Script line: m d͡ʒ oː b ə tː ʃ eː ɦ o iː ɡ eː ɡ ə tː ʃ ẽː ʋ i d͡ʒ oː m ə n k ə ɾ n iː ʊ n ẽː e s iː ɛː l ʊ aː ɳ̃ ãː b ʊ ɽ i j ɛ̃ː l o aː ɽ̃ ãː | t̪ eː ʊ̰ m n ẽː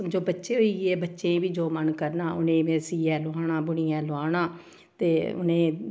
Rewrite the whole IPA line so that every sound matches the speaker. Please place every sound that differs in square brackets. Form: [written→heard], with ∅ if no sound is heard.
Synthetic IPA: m d͡ʒ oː b ə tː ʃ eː ɦ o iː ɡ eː [ɡ→b] ə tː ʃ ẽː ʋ [i→iː] d͡ʒ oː m ə n k ə ɾ n [iː→aː] ʊ n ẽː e s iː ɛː l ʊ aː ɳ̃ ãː b ʊ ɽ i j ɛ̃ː l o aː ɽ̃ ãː | t̪ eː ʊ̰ [m→∅] n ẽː